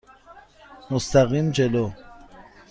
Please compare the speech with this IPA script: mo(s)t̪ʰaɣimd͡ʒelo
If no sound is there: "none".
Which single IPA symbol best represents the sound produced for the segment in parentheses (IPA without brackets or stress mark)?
s